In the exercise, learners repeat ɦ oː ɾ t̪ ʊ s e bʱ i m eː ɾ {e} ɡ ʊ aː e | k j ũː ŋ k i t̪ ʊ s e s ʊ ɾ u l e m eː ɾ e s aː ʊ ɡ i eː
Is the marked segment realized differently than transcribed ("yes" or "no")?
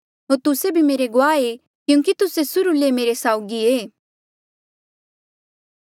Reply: no